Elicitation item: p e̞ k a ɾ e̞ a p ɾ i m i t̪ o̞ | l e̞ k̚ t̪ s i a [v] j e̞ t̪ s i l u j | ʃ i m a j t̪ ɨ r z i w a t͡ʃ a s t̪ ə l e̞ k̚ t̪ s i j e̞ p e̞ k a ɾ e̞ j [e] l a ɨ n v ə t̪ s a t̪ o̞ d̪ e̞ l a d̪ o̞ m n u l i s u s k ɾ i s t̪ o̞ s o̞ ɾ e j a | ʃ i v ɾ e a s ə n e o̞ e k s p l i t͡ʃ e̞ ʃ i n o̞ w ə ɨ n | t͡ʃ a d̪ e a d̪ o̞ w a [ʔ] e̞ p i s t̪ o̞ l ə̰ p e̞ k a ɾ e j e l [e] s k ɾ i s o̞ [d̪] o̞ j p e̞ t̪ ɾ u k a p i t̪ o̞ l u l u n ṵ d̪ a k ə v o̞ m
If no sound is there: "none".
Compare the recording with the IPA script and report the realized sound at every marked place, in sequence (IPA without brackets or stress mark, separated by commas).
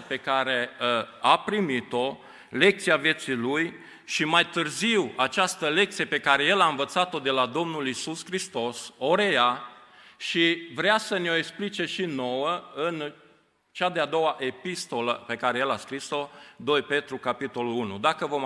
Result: v, e, ʔ, a, d̪